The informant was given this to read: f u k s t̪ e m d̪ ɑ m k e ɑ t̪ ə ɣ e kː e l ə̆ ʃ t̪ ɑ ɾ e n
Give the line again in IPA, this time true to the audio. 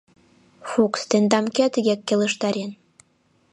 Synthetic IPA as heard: f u k s t̪ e n d̪ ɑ m k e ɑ t̪ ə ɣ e kː e l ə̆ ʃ t̪ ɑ ɾ e n